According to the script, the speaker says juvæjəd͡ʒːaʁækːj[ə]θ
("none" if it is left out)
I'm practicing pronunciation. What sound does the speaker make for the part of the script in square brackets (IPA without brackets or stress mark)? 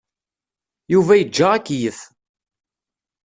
ə